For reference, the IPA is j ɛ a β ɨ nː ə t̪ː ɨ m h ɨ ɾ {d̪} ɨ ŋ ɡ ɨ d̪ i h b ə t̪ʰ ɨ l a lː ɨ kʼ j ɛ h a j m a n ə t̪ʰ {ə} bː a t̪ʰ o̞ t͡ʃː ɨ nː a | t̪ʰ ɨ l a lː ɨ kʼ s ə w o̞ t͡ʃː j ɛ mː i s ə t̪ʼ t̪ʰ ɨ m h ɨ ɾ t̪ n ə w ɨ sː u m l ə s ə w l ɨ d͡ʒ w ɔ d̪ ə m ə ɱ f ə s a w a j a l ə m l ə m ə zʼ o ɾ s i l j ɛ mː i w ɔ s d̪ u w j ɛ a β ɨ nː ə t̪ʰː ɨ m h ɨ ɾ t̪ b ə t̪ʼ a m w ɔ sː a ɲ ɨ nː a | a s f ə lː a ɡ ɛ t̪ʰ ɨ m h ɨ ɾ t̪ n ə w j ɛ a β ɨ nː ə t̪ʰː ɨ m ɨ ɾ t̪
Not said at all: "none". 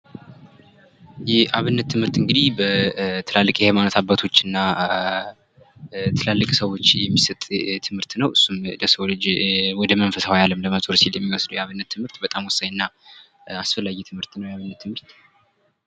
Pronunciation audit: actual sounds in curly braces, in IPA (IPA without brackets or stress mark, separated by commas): t̪, a